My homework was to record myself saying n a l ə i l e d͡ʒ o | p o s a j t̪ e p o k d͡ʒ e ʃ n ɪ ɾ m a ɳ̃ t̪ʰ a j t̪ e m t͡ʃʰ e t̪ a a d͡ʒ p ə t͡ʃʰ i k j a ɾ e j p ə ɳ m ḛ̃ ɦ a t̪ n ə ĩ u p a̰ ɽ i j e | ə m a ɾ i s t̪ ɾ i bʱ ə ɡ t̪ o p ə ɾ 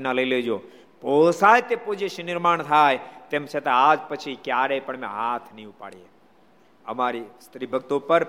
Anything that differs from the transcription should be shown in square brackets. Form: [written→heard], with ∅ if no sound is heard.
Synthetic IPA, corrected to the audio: n a l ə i l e d͡ʒ o | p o s a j t̪ e p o [k→∅] d͡ʒ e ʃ n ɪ ɾ m a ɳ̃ t̪ʰ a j t̪ e m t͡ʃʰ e t̪ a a d͡ʒ p ə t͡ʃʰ i k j a ɾ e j p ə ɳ m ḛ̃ ɦ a [t̪→t̪ʰ] n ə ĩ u p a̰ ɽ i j e | ə m a ɾ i s t̪ ɾ i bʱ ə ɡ t̪ o p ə ɾ